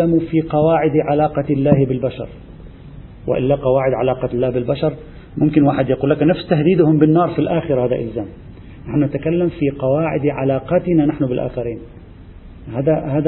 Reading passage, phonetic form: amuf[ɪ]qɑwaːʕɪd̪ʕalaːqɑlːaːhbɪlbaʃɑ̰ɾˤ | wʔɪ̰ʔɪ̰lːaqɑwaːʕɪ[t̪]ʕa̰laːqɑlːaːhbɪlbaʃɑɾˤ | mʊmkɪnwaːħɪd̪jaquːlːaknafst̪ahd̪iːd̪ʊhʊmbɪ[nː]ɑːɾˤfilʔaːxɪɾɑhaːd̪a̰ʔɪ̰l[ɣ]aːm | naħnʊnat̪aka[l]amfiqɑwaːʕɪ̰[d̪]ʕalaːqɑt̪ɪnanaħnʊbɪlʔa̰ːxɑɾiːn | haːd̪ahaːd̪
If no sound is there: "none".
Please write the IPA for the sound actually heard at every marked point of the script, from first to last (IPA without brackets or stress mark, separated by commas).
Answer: i, d̪, nː, z, lː, d̪